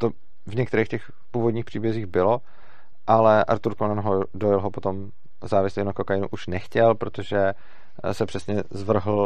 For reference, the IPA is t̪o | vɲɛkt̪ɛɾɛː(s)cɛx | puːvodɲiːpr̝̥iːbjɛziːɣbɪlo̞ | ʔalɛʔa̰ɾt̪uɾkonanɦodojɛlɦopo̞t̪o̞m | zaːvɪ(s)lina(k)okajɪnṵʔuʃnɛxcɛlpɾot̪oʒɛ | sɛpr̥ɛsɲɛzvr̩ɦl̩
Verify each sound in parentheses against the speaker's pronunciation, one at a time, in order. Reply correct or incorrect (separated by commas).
incorrect, correct, correct